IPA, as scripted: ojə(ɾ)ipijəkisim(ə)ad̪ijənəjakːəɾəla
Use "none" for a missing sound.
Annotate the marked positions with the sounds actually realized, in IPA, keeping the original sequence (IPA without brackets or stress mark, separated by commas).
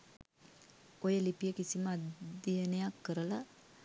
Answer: l, ə